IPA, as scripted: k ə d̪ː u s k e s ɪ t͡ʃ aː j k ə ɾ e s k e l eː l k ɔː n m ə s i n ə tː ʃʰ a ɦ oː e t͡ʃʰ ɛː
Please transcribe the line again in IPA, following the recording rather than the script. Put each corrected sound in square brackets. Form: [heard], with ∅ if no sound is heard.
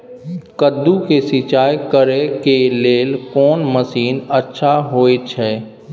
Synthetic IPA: k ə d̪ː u [∅] k e s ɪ t͡ʃ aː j k ə ɾ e [∅] k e l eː l k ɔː n m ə s [iː] n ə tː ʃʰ a ɦ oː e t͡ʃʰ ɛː